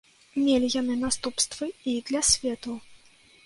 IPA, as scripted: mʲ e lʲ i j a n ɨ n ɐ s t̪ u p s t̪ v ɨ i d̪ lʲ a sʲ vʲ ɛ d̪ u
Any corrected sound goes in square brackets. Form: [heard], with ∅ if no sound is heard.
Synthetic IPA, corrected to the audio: mʲ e lʲ i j a n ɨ n [a] s t̪ u p s t̪ v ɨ i d̪ lʲ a sʲ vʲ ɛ [t̪] u